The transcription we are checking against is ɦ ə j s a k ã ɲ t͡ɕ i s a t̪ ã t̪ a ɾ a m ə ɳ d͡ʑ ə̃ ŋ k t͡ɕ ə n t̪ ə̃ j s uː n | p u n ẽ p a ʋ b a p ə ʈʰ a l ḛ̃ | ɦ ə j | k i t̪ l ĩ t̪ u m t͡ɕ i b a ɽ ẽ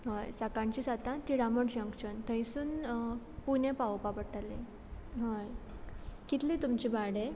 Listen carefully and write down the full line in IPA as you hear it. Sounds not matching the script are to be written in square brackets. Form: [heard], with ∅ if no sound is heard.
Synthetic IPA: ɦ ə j s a k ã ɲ t͡ɕ i s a t̪ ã t̪ [i] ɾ a m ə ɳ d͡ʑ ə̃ ŋ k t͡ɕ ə n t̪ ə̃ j s uː n | p u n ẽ p a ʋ [p] a p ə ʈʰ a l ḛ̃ | ɦ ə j | k i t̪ l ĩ t̪ u m t͡ɕ i b a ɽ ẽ

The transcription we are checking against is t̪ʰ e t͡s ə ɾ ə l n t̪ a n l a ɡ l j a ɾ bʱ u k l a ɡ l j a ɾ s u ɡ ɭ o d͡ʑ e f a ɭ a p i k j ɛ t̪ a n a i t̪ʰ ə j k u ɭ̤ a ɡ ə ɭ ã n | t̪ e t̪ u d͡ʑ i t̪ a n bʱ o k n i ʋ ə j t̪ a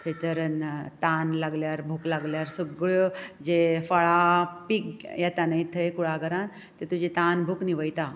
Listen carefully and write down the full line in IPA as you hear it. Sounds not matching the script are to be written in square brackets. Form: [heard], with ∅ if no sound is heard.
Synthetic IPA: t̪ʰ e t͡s ə ɾ ə [∅] n t̪ a n l a ɡ l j a ɾ bʱ u k l a ɡ l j a ɾ s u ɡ ɭ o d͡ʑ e f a ɭ a p i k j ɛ t̪ a n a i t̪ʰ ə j k u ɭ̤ a ɡ ə [ɾ] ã n | t̪ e t̪ u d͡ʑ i t̪ a n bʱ [u] k n i ʋ ə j t̪ a

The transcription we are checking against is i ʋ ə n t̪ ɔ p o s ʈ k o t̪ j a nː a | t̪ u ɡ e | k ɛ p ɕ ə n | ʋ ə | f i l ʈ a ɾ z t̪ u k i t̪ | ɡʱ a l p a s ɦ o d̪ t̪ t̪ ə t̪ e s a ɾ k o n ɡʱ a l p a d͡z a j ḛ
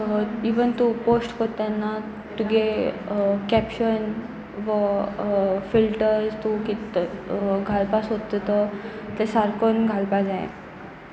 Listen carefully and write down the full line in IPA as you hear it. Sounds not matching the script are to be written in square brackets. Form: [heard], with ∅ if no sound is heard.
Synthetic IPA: i ʋ ə n t̪ [u] p o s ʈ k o t̪ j a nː a | t̪ u ɡ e | k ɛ p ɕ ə n | ʋ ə | f i l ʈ [ə] ɾ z t̪ u k i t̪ | ɡʱ a l p a s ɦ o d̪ t̪ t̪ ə t̪ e s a ɾ k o n ɡʱ a l p a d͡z a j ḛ

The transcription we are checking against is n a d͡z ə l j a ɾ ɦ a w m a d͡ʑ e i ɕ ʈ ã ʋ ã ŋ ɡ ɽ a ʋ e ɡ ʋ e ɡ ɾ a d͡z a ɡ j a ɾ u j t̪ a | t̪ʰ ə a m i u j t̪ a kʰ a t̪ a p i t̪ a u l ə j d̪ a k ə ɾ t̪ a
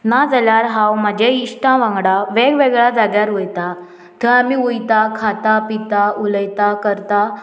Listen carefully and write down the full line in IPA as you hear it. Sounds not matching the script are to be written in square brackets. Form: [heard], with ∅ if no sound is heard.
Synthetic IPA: n a d͡z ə l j a ɾ ɦ a w m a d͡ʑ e i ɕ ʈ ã ʋ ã ŋ ɡ ɽ a ʋ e ɡ ʋ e ɡ [ɭ] a d͡z a ɡ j a ɾ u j t̪ a | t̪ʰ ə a m i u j t̪ a kʰ a t̪ a p i t̪ a u l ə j [t̪] a k ə ɾ t̪ a

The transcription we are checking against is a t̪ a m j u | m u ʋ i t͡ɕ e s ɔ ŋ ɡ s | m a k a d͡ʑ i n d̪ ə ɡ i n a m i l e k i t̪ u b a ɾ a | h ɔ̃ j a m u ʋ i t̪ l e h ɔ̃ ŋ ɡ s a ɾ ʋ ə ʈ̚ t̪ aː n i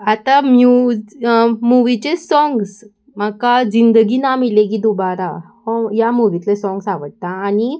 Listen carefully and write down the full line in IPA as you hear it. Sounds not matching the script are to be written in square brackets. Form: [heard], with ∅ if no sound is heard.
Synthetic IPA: a t̪ a m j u | m u ʋ i t͡ɕ e s ɔ ŋ ɡ s | m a k a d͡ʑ i n d̪ ə ɡ i n a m i l e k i [d̪] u b a ɾ a | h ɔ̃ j a m u ʋ i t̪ l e [s] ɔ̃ ŋ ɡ s a [∅] ʋ ə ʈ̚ t̪ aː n i

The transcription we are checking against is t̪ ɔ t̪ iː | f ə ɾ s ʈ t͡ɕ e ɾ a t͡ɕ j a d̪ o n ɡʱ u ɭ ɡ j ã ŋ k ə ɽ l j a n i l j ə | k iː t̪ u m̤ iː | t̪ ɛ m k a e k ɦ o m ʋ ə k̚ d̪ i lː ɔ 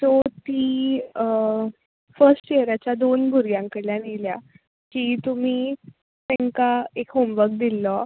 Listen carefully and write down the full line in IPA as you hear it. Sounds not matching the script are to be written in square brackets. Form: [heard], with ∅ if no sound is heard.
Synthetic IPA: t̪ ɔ t̪ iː | f ə ɾ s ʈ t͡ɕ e ɾ a t͡ɕ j a d̪ o n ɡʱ u [ɾ] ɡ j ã ŋ k ə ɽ l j a n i l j [a] | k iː t̪ u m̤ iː | t̪ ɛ [ŋ] k a e k ɦ o m ʋ ə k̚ d̪ i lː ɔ

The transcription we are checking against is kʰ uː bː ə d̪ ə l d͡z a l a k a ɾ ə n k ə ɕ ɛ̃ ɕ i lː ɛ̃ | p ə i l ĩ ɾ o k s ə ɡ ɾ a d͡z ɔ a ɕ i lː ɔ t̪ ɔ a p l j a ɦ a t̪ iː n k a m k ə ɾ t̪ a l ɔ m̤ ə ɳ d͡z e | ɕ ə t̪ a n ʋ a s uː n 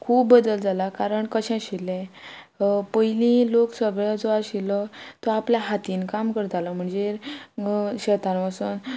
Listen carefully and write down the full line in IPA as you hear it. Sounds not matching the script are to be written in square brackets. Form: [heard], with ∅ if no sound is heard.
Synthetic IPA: kʰ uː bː ə d̪ ə l d͡z a l a k a ɾ ə [ɳ] k ə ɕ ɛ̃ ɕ i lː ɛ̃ | p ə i l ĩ [l] o k s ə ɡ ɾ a d͡z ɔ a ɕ i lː ɔ t̪ ɔ a p l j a ɦ a t̪ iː n k a m k ə ɾ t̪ a l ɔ m̤ ə ɳ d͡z e | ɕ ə t̪ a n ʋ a s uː n

